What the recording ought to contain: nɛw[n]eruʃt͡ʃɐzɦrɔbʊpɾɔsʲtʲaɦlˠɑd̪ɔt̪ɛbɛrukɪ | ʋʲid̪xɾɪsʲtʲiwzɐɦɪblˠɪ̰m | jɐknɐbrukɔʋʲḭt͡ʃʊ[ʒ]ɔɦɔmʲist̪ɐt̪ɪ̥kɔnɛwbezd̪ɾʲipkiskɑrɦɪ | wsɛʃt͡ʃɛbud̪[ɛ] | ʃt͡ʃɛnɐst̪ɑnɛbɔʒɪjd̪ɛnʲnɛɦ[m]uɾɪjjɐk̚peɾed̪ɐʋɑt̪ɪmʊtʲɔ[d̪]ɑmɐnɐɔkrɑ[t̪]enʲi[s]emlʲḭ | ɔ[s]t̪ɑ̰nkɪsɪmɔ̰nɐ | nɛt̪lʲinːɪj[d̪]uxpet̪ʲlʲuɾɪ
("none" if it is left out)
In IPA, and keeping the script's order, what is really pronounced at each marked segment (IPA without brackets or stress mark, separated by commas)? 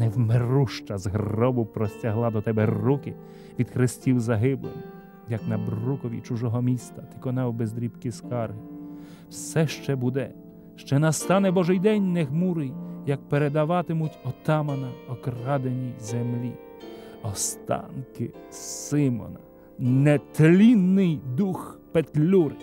m, ʒ, ɛ, m, t̪, d̪, z, s, d̪